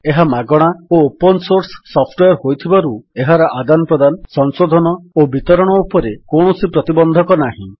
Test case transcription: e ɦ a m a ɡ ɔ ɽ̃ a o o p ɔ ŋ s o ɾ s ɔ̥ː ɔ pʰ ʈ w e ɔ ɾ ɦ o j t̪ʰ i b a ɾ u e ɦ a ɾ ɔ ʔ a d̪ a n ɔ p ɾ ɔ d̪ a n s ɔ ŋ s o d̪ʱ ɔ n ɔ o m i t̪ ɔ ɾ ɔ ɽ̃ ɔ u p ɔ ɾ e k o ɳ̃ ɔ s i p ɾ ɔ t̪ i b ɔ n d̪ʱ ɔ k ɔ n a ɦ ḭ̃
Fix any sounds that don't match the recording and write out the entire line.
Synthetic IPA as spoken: e ɦ a m a ɡ ɔ ɽ̃ a o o p ɔ n s o ɾ s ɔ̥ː ɔ pʰ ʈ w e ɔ ɾ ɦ o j t̪ʰ i b a ɾ u e ɦ a ɾ ɔ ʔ a d̪ a n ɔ p ɾ ɔ d̪ a n s ɔ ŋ s o d̪ʱ ɔ n ɔ o b i t̪ ɔ ɾ ɔ ɽ̃ ɔ u p ɔ ɾ e k o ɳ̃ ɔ s i p ɾ ɔ t̪ i b ɔ n d̪ʱ ɔ k ɔ n a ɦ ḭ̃